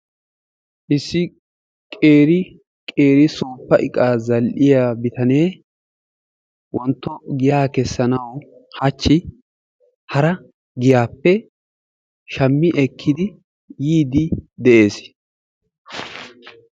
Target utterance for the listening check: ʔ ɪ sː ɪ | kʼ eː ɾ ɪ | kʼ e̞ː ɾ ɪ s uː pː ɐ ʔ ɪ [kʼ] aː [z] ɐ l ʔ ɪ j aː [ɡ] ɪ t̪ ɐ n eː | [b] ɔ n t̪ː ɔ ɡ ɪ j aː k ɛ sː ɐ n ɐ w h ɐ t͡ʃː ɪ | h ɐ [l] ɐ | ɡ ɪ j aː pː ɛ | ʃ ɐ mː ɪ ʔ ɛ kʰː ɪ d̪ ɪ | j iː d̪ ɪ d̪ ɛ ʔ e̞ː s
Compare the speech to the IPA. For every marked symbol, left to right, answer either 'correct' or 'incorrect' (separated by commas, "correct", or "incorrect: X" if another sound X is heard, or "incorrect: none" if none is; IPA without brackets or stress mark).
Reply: correct, correct, incorrect: b, incorrect: w, incorrect: ɾ